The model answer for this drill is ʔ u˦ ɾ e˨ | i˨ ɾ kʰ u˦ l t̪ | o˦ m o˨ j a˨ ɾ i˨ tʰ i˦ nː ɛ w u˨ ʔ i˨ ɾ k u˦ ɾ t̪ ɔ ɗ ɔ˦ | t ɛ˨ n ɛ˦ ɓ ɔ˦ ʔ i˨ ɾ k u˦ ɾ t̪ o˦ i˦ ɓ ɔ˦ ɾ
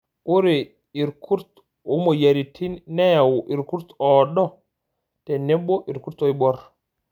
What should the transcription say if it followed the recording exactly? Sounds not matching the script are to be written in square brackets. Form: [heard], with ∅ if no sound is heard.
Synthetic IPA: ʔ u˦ ɾ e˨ | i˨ ɾ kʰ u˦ [ɾ] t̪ | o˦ m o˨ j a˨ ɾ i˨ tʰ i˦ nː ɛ w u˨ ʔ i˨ ɾ k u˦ ɾ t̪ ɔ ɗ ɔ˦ | t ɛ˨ n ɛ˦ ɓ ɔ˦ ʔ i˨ ɾ k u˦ ɾ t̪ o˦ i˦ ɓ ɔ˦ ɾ